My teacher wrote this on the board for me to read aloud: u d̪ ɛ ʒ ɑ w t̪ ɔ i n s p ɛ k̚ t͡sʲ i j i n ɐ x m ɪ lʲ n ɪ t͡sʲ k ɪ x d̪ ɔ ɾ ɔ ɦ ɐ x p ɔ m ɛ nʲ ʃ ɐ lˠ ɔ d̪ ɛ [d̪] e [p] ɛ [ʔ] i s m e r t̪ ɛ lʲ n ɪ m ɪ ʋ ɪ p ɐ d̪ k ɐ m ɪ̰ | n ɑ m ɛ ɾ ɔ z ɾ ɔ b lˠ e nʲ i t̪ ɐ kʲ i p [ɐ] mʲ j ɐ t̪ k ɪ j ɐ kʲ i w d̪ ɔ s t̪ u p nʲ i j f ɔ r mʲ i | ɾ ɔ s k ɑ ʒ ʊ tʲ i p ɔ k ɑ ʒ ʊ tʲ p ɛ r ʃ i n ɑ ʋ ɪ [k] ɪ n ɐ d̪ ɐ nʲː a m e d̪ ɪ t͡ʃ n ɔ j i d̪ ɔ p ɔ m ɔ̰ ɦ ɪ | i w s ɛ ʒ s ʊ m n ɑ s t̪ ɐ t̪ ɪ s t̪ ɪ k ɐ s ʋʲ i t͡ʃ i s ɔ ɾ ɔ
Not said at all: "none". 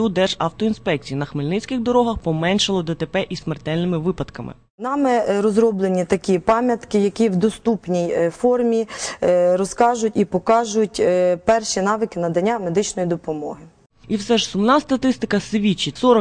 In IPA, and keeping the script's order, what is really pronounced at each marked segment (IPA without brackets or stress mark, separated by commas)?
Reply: t̪, p, ʔ, ɑ, k